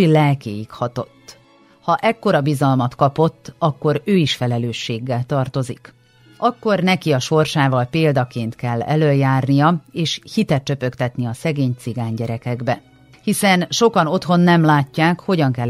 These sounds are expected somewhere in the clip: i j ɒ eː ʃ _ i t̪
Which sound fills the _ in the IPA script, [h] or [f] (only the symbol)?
h